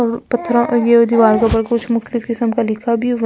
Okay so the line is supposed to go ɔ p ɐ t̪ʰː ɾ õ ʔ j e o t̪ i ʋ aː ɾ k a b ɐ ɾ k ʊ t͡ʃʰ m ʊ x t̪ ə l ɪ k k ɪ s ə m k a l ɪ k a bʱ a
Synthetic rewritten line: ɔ p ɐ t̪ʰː ɾ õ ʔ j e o d̪ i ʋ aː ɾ k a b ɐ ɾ k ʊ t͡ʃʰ m ʊ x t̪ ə l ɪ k k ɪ s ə m k a l ɪ kʰ a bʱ i

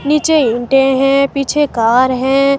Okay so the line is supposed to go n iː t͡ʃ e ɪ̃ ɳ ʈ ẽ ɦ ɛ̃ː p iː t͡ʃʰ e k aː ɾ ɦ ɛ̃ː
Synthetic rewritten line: n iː t͡ʃ e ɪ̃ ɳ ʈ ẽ ɦ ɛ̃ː p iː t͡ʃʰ e k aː ɾ ɦ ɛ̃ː

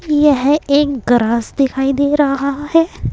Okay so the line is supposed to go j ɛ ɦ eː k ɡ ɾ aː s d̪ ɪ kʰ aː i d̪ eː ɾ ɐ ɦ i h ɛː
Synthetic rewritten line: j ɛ ɦ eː k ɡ ɾ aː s d̪ ɪ kʰ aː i d̪ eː ɾ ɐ ɦ a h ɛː

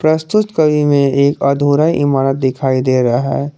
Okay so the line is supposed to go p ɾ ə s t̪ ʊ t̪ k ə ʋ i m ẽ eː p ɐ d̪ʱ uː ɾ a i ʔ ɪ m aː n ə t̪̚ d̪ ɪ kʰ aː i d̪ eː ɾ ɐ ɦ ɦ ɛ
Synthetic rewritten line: p ɾ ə s t̪ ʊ t̪ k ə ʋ i m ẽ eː k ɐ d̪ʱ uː ɾ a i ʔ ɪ m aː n ə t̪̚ d̪ ɪ kʰ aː i d̪ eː ɾ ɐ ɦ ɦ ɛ

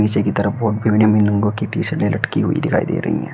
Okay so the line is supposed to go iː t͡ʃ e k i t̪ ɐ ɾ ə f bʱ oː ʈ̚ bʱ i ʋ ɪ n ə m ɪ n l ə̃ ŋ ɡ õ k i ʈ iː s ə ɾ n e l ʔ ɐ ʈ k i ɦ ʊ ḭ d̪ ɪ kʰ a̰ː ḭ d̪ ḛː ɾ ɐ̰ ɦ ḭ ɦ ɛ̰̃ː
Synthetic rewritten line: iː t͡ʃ e k i t̪ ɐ ɾ ə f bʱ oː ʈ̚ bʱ i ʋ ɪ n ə m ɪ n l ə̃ ŋ ɡ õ k i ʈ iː s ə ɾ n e l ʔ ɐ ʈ k i ɦ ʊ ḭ d̪ ɪ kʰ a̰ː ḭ d̪ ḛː ɾ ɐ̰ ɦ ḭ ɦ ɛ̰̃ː

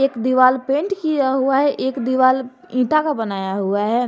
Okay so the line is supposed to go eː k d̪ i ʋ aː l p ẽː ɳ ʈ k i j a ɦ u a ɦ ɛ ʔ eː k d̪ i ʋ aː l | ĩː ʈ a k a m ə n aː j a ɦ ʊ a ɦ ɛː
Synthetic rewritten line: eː k d̪ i ʋ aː l p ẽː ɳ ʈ k i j a ɦ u a ɦ ɛ ʔ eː k d̪ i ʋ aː l | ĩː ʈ a k a b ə n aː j a ɦ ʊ a ɦ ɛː

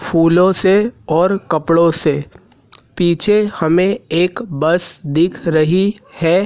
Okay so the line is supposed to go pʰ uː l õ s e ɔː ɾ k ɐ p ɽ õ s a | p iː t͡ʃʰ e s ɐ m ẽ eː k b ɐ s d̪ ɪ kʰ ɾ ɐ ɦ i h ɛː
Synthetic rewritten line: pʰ uː l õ s e ɔː ɾ k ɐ p ɽ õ s e | p iː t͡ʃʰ e h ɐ m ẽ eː k b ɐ s d̪ ɪ kʰ ɾ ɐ ɦ i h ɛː

